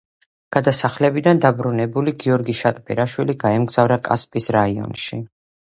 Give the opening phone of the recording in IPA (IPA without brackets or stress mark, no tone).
ɡ̥